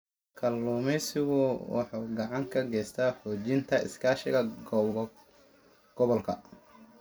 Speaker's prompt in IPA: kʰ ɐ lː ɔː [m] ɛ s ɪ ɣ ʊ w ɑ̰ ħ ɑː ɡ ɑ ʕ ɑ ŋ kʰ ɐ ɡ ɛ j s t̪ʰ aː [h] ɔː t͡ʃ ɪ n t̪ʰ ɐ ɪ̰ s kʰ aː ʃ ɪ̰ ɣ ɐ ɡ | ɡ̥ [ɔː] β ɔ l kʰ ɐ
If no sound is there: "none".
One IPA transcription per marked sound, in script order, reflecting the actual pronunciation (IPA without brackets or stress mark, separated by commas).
m, ħ, ɔ